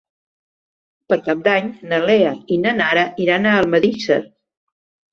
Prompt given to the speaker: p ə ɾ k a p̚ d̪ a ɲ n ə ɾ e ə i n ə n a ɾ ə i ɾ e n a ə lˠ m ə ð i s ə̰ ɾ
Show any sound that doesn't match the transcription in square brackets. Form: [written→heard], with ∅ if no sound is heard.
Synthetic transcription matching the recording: p ə ɾ k a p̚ d̪ a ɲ n ə [ɾ→l] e ə i n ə n a ɾ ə i ɾ [e→a] n a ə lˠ m ə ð i s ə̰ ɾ